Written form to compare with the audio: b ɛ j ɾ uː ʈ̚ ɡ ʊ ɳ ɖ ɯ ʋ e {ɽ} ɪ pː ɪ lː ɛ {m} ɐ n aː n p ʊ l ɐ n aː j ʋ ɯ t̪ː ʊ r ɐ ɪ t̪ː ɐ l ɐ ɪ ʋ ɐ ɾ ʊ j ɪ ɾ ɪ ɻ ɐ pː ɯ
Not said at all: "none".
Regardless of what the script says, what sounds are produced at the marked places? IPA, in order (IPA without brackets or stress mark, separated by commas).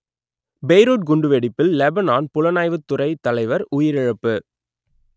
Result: ɽ, b